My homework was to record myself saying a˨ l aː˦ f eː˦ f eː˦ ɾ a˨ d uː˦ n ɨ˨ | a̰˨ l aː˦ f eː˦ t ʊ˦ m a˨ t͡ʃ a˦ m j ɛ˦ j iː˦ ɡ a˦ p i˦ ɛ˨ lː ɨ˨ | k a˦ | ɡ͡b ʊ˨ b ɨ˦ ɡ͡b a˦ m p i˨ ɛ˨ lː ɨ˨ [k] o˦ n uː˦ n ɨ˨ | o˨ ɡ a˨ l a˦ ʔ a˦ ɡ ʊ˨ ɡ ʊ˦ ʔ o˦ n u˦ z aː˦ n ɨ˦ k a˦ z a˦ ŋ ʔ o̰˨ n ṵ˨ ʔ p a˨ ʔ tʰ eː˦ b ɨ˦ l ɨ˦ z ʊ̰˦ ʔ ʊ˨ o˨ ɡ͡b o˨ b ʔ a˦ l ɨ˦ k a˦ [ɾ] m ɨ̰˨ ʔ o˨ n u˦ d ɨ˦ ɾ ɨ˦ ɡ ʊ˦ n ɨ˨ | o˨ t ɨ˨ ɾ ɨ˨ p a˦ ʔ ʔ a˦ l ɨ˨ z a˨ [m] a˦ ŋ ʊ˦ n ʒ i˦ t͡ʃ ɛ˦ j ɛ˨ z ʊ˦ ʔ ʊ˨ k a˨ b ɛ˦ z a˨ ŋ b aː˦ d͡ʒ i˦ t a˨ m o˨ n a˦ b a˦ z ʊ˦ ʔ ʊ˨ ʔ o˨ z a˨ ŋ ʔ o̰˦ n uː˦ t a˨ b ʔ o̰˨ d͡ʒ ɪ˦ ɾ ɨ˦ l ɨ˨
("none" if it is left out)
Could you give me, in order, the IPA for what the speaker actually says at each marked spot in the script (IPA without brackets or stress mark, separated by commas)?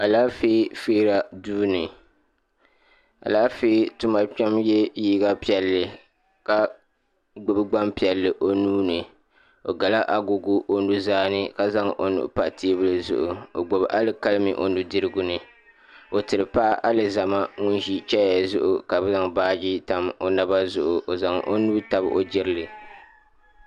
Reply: ʔ, l, m